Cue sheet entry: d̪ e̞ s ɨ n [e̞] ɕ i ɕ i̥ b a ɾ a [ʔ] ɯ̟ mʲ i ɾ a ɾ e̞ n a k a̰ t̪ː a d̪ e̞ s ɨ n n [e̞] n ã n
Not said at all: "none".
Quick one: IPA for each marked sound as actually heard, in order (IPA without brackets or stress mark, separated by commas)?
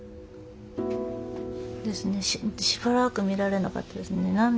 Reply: e̞, k, e̞